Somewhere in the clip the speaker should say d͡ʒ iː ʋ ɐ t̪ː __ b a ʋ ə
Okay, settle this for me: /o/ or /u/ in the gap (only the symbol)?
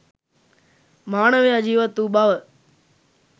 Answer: u